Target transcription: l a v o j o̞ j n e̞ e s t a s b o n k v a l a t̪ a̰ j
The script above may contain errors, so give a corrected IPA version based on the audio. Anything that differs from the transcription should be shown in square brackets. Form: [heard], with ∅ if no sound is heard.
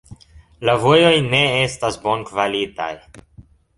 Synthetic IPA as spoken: l a v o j o̞ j n e̞ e s t a s b o n k v a l [i] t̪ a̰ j